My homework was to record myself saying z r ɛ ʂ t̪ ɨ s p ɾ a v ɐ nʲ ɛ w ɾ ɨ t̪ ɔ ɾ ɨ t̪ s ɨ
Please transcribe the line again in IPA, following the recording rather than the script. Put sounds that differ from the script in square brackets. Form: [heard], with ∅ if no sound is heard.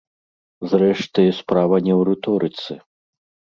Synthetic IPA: z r ɛ ʂ t̪ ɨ s p ɾ a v ɐ nʲ ɛ w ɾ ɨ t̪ ɔ ɾ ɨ t̪ s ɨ